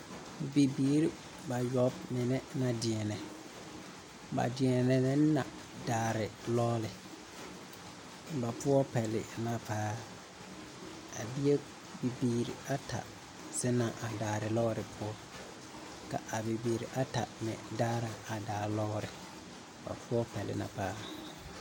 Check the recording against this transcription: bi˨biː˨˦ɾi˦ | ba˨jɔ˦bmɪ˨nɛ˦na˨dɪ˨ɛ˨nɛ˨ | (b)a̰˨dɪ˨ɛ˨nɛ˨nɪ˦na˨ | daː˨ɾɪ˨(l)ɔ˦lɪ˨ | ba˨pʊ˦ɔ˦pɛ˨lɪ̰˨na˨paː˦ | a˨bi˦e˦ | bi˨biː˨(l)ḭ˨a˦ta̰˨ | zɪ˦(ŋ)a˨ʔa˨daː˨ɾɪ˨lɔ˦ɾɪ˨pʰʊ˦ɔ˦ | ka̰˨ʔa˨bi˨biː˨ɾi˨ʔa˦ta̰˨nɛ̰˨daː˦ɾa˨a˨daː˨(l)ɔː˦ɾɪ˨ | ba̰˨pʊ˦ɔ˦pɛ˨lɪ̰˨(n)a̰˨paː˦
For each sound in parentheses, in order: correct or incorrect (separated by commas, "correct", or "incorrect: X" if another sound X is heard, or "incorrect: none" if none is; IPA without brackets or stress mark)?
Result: correct, correct, incorrect: ɾ, incorrect: n, correct, correct